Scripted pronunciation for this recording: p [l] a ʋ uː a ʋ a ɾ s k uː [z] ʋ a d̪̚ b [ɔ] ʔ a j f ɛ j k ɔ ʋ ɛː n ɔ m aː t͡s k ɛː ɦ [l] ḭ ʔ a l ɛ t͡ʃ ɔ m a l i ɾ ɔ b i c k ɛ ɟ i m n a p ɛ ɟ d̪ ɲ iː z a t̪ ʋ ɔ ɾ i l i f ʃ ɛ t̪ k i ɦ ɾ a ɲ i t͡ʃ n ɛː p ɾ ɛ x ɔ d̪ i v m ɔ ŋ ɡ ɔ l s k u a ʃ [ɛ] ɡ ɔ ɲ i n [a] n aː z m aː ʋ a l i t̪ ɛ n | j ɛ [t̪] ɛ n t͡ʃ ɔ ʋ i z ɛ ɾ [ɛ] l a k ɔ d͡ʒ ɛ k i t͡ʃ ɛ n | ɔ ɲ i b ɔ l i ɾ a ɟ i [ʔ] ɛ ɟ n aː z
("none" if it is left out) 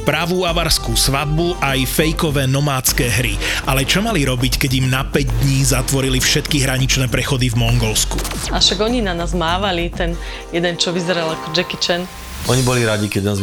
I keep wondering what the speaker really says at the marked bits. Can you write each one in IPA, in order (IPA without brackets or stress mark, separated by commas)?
ɾ, s, u, ɾ, a, a, d̪, a, k